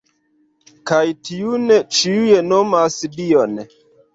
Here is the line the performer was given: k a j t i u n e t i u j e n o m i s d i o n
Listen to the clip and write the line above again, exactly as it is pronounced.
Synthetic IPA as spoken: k a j t i u n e t͡ʃ i u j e n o m a s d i o n